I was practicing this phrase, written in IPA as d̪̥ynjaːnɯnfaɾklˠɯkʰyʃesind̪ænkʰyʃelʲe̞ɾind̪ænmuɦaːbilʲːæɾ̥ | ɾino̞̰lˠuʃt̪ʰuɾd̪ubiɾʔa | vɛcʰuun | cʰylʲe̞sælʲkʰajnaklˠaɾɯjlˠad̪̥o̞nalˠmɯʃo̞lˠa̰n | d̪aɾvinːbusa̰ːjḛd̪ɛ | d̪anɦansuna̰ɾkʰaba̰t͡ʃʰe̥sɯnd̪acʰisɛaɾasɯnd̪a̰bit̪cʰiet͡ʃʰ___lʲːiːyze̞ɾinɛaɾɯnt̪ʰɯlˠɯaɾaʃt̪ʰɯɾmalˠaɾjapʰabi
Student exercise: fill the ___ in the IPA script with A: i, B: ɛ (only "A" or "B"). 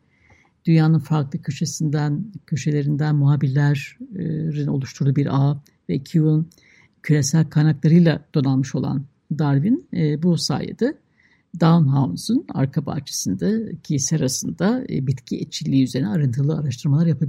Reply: A